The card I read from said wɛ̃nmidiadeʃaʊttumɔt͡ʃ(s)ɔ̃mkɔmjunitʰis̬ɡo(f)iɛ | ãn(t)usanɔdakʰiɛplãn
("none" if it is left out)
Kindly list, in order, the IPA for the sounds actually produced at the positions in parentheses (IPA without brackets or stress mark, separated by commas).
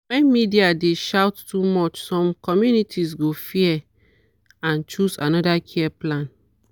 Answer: s, f, t͡ʃ